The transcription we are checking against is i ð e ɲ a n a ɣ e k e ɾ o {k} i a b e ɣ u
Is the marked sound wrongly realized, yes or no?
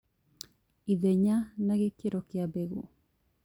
no